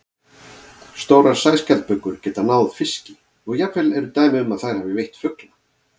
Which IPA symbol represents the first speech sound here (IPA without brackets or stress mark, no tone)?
s